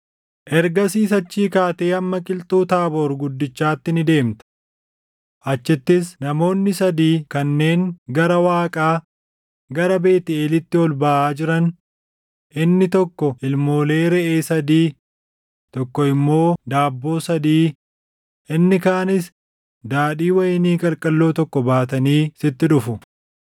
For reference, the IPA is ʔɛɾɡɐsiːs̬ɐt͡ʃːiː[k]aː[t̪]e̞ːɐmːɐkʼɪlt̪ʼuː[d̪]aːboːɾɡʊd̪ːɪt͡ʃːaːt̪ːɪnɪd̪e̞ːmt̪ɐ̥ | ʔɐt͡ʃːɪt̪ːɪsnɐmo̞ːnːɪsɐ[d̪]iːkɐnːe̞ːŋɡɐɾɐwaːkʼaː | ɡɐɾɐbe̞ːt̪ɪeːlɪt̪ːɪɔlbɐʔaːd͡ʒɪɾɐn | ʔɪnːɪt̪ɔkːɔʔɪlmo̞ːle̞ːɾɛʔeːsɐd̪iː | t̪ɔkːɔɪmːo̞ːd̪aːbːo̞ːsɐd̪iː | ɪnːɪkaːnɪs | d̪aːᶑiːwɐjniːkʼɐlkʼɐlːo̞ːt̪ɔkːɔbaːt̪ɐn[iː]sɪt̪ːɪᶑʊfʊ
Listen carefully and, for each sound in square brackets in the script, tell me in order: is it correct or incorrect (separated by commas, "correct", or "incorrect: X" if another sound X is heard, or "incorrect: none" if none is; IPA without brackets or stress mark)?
correct, correct, incorrect: t̪, correct, correct